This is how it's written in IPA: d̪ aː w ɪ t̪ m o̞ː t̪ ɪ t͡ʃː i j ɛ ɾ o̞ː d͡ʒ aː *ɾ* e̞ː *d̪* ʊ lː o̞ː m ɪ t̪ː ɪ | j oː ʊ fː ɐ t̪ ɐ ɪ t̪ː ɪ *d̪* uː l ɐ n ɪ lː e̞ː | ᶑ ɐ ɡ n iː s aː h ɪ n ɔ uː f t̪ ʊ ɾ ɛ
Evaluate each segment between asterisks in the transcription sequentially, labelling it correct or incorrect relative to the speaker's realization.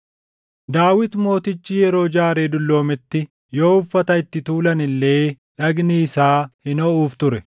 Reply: correct, correct, incorrect: t̪

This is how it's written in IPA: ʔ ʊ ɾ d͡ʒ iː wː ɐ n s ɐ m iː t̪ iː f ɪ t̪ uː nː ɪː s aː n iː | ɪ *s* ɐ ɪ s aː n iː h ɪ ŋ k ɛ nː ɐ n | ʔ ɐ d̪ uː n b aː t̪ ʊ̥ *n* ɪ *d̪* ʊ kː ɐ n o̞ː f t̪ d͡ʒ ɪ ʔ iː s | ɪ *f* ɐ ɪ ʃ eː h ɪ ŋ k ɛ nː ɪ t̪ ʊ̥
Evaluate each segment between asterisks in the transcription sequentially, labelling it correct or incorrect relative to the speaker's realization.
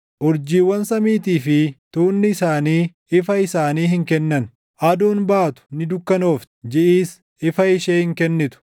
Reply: incorrect: f, correct, correct, correct

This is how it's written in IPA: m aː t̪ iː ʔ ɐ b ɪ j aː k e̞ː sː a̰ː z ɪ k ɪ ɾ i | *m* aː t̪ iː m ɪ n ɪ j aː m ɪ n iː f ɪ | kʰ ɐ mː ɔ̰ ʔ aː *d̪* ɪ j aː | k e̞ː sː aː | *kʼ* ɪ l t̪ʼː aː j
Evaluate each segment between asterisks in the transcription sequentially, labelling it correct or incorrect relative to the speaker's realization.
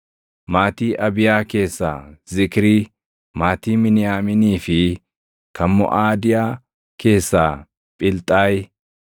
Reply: correct, correct, incorrect: pʼ

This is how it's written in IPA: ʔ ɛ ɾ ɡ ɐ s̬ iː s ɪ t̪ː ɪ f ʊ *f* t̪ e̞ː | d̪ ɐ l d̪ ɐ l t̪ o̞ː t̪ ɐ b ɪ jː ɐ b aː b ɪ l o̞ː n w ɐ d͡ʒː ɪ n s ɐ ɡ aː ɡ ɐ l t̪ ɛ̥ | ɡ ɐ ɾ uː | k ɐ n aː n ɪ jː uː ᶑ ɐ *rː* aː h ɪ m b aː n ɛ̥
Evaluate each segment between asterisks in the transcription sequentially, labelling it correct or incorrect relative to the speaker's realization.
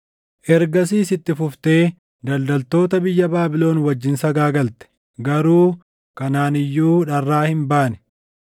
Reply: correct, correct

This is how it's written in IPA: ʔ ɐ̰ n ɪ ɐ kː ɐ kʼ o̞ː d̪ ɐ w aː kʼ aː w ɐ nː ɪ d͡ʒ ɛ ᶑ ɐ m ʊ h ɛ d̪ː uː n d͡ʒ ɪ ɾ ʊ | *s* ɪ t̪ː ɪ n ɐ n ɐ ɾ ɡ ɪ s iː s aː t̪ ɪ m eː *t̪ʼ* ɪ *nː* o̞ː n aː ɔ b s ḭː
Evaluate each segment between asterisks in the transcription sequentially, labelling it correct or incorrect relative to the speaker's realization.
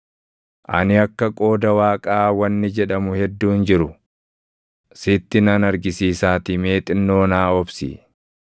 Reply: correct, correct, correct

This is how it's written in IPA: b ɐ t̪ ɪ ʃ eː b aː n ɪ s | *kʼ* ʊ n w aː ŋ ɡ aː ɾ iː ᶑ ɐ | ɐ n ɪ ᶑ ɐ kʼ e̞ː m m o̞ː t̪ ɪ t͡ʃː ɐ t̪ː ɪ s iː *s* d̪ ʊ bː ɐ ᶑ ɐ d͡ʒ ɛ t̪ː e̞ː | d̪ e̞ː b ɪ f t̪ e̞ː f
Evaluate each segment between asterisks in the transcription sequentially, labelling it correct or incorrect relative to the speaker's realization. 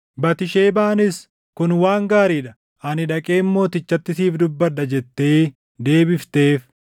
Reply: incorrect: k, incorrect: f

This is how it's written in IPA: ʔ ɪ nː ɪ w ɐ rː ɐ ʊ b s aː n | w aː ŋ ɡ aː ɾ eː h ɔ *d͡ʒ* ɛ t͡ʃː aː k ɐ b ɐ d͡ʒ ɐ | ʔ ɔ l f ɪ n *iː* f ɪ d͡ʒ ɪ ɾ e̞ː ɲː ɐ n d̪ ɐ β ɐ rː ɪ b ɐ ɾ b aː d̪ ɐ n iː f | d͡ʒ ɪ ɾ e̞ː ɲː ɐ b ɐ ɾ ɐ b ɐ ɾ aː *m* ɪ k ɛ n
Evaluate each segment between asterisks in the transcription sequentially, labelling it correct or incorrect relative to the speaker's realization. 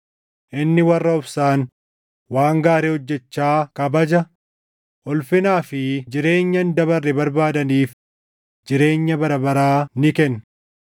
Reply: incorrect: d͡ʒː, incorrect: aː, incorrect: n

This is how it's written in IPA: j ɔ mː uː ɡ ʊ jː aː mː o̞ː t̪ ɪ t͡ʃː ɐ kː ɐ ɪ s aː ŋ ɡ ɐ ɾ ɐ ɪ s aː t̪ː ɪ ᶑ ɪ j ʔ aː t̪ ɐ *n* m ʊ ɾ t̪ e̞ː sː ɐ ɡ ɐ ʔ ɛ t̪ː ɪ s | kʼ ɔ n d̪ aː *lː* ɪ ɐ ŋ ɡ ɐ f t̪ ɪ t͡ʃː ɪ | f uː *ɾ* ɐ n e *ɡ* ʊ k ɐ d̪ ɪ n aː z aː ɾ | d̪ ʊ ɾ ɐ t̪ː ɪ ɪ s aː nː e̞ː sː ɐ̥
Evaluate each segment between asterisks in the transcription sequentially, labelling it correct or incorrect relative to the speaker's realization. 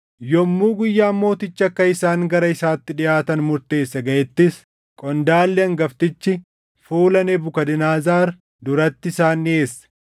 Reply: correct, correct, incorrect: l, incorrect: b

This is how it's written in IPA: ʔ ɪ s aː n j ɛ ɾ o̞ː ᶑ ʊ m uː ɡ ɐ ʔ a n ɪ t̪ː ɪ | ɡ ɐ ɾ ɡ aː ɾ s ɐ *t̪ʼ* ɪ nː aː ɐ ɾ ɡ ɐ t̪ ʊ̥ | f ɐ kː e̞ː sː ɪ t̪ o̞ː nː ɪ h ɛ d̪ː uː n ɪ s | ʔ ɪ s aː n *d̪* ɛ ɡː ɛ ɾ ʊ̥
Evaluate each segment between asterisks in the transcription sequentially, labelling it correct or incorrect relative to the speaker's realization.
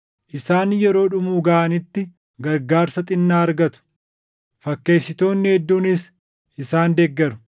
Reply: correct, correct

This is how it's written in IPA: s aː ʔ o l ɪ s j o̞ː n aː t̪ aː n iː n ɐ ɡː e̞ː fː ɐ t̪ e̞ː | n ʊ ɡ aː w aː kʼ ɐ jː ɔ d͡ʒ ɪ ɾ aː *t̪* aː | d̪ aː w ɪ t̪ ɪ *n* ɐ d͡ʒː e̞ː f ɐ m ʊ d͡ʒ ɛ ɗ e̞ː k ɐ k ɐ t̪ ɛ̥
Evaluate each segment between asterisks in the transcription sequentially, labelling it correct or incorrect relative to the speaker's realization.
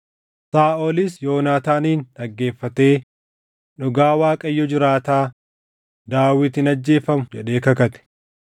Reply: correct, correct

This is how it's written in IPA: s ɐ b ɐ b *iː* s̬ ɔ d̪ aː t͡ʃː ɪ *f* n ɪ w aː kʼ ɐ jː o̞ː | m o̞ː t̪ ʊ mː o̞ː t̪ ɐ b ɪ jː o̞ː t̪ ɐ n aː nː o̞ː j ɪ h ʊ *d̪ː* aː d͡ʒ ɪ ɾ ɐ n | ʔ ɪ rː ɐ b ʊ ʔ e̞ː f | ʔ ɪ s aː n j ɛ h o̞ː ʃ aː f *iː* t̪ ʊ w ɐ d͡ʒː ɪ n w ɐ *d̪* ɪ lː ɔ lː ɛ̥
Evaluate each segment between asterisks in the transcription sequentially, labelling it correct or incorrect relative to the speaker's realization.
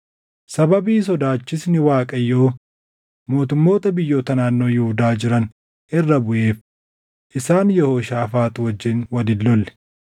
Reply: correct, incorrect: s, incorrect: d̪, incorrect: aː, correct

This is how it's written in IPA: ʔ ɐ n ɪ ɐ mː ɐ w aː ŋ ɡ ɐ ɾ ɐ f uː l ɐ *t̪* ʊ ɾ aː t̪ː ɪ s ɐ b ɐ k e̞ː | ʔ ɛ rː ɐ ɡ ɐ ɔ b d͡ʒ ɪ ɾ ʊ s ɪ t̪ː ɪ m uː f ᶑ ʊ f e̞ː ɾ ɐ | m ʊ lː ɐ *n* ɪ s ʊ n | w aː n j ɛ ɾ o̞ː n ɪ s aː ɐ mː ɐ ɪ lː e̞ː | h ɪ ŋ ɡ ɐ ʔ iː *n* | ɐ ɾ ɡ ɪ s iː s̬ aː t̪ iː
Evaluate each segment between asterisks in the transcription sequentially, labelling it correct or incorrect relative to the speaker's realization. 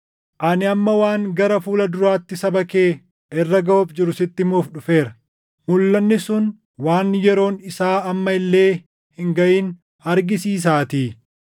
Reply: incorrect: d̪, incorrect: nː, correct

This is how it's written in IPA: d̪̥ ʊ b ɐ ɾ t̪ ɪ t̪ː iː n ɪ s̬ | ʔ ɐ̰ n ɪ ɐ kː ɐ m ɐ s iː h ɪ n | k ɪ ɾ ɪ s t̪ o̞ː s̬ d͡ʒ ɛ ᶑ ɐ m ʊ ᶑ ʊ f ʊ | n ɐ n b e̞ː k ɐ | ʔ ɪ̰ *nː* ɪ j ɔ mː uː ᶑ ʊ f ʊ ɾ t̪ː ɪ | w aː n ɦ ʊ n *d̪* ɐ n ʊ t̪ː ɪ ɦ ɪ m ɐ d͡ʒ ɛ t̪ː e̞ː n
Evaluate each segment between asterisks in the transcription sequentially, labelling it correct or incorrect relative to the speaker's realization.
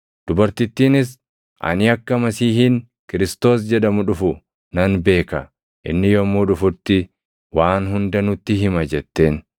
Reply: correct, correct

